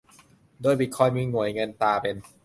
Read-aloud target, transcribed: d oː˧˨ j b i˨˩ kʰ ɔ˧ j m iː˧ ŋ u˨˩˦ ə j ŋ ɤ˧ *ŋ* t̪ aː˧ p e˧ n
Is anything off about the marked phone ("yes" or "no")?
yes